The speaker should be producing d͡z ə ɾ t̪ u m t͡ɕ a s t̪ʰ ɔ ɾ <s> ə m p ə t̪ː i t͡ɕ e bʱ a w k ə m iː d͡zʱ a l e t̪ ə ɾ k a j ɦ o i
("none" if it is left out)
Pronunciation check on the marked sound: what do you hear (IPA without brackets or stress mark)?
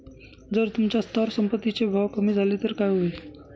s